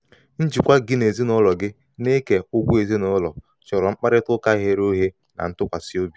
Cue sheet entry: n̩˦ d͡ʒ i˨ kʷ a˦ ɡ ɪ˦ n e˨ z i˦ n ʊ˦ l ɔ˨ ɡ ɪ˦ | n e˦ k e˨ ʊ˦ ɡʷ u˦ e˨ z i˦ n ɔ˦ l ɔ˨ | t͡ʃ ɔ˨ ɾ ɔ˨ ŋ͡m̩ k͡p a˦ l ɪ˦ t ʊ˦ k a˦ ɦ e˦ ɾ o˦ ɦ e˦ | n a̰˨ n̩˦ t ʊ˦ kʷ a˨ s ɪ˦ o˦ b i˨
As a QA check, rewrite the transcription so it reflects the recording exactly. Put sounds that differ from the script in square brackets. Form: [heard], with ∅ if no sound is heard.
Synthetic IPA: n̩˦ d͡ʒ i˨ kʷ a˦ ɡ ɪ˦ n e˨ z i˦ n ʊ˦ l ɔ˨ ɡ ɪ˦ | n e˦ k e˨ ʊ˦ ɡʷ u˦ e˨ z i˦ n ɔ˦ l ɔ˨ | t͡ʃ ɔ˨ ɾ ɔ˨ ŋ͡m̩ k͡p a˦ [ɾ] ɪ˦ t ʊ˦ k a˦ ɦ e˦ ɾ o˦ ɦ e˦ | n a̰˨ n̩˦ t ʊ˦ kʷ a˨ s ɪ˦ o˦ b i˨